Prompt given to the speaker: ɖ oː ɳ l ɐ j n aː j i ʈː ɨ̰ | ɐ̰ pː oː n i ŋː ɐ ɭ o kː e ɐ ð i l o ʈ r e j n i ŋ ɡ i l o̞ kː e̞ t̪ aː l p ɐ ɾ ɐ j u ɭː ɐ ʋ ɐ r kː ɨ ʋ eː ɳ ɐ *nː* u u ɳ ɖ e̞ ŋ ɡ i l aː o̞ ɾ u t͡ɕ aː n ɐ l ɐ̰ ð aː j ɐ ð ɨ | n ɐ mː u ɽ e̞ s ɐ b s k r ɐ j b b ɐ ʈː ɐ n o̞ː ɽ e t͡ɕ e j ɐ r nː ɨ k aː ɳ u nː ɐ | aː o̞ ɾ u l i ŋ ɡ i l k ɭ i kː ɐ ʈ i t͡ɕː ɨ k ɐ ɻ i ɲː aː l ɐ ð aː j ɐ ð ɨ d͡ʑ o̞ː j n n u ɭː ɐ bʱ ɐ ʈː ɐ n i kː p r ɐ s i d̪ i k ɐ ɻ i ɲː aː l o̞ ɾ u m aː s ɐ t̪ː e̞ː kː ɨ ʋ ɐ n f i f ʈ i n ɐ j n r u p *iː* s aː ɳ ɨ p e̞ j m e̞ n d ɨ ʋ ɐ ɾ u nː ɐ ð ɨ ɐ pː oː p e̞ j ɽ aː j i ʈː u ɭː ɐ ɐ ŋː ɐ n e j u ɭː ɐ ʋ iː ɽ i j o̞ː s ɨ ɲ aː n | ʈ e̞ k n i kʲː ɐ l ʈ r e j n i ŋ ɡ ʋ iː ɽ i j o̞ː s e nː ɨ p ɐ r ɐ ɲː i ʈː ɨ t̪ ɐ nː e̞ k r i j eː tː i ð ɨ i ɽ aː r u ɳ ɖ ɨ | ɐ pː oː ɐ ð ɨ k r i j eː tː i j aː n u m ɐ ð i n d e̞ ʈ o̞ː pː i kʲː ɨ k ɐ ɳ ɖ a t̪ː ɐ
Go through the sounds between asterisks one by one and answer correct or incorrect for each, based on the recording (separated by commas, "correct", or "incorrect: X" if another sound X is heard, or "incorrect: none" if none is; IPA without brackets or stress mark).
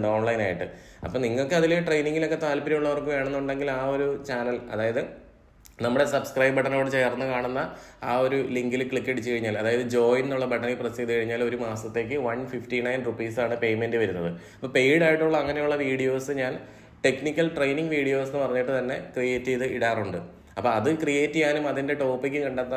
correct, correct